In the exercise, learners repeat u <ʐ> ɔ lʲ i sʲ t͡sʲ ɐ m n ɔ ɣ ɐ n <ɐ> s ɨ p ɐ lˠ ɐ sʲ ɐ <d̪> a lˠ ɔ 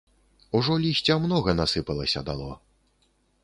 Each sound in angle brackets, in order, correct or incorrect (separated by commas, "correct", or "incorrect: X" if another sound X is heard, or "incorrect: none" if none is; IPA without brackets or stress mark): correct, incorrect: a, correct